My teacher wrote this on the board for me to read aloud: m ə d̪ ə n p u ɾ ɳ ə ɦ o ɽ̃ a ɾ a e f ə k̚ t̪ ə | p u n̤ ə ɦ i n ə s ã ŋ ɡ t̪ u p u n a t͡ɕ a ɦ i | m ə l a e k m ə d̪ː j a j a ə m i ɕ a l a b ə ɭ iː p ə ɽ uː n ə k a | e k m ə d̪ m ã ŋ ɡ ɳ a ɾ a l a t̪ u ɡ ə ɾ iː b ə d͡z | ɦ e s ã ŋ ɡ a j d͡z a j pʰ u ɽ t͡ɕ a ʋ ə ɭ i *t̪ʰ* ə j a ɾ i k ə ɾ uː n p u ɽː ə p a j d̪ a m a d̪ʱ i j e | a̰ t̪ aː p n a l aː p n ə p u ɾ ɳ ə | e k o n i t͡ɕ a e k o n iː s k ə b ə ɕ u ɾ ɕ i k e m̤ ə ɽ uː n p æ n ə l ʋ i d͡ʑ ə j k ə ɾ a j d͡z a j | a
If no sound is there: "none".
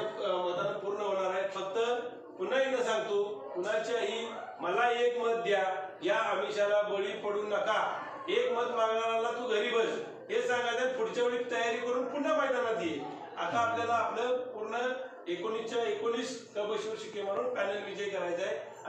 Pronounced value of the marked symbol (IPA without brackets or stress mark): t̪